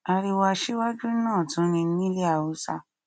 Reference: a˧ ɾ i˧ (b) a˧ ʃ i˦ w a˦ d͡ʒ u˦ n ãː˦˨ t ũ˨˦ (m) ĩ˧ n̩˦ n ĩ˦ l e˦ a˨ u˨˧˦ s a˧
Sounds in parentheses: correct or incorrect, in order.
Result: incorrect: w, incorrect: n

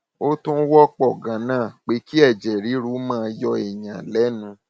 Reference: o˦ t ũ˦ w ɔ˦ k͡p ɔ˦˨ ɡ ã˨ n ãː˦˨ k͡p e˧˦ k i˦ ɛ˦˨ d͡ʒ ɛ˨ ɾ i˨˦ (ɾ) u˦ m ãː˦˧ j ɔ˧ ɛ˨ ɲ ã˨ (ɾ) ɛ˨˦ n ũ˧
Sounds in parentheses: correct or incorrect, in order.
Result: correct, incorrect: l

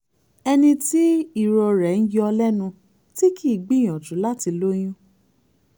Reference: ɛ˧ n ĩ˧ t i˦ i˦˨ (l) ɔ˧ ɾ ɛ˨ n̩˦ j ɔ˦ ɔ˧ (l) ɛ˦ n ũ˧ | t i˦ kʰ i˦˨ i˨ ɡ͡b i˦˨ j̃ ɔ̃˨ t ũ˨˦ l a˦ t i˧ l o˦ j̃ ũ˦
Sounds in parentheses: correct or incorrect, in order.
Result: incorrect: ɾ, correct

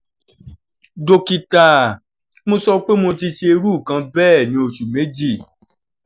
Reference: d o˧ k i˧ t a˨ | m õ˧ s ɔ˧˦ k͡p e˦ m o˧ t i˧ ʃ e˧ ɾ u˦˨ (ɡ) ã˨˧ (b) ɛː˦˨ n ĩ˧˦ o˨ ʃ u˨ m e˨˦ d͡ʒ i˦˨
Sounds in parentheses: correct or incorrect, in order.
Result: incorrect: k, correct

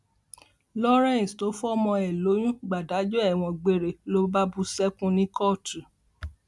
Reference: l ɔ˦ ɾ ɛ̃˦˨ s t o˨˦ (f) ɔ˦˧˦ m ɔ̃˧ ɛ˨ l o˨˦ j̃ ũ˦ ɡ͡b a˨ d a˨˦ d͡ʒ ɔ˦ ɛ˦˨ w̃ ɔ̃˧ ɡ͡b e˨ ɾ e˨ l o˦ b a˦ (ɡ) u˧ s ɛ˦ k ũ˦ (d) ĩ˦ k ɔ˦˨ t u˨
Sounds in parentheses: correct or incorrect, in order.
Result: correct, incorrect: b, incorrect: n

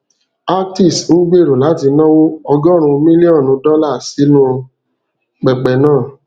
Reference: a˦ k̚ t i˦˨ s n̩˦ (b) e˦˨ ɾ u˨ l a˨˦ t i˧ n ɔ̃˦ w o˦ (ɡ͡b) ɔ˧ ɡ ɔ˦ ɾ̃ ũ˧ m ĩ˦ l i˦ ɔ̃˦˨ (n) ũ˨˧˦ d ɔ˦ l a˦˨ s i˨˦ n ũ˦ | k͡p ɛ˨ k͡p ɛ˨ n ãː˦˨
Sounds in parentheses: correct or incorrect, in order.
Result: incorrect: ɡ͡b, incorrect: none, correct

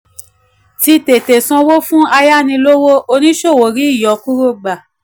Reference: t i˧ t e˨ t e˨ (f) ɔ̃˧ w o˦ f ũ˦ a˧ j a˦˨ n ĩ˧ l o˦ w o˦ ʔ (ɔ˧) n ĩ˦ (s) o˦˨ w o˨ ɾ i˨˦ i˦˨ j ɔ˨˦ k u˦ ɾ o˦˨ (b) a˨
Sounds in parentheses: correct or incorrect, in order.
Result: incorrect: s, incorrect: o˧, incorrect: ʃ, incorrect: ɡ͡b

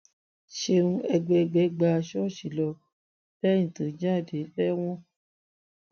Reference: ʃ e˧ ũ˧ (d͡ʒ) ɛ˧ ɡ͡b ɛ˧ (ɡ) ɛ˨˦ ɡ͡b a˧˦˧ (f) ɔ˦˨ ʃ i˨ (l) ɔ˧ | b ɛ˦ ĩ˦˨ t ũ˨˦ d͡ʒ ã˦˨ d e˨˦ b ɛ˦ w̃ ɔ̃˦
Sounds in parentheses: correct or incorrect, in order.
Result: incorrect: none, incorrect: ɡ͡b, incorrect: ʃ, correct

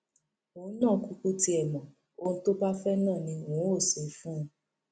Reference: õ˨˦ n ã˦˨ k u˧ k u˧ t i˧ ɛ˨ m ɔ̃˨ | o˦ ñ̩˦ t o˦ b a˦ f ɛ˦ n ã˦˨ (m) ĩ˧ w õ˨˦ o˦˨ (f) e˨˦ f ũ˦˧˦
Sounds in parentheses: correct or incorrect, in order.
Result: incorrect: n, incorrect: s

